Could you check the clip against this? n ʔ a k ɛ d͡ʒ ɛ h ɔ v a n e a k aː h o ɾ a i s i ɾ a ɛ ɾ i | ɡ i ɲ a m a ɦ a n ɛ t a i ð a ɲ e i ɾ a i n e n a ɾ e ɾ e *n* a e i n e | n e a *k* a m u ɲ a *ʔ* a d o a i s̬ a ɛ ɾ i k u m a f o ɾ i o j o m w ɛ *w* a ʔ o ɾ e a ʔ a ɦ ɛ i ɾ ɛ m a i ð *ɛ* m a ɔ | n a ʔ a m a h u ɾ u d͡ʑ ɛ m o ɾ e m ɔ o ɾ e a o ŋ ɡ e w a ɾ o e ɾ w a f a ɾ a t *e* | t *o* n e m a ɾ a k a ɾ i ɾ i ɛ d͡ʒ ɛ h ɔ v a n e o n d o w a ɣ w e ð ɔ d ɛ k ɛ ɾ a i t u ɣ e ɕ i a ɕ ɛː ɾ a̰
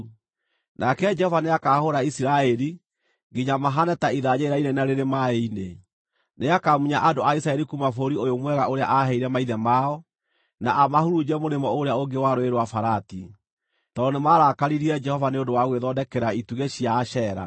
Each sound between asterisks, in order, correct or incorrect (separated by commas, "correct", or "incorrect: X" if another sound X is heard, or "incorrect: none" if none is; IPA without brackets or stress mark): incorrect: m, correct, correct, incorrect: ɣ, correct, incorrect: i, incorrect: ɔ